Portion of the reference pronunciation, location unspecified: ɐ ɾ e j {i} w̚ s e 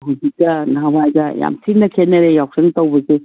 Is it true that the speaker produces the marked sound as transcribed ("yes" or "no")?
no